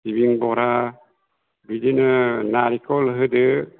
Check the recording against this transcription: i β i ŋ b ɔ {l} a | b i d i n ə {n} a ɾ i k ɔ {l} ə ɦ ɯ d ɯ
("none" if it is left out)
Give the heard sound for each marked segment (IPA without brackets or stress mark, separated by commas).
ɾ, n, l